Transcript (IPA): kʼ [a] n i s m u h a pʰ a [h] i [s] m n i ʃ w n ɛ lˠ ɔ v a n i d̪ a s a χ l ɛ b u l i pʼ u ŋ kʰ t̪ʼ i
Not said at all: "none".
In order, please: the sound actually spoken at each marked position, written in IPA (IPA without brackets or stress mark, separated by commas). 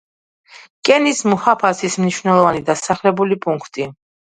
ɛ, s, s